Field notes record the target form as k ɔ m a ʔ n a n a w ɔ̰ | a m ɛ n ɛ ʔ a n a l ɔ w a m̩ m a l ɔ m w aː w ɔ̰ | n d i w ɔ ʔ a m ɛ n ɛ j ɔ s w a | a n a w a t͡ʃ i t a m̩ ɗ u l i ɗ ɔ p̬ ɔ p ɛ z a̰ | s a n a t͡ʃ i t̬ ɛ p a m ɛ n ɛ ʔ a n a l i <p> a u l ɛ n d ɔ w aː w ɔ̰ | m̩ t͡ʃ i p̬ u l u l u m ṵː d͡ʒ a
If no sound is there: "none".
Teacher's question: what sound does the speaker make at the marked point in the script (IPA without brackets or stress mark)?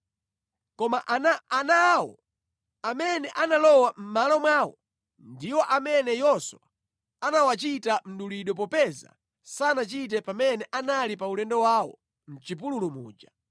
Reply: p